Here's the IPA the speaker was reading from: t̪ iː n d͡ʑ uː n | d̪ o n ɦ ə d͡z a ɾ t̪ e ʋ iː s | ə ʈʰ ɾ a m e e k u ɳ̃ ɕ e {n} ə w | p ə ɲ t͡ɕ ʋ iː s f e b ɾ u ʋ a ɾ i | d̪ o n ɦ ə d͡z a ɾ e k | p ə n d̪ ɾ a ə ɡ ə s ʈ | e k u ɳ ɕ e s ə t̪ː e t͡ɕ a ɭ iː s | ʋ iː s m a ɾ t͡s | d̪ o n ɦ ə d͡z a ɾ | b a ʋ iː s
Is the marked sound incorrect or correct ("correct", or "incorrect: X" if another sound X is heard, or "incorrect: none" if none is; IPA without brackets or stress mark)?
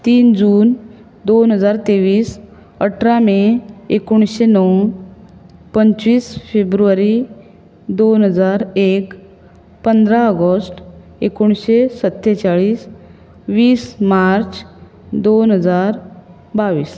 correct